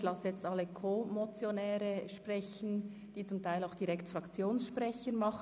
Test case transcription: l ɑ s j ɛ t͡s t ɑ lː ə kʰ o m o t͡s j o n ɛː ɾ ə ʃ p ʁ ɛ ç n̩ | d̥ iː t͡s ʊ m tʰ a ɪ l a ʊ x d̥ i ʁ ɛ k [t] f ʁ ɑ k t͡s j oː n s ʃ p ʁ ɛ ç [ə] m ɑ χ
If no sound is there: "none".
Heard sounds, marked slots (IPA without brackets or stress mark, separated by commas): t, ə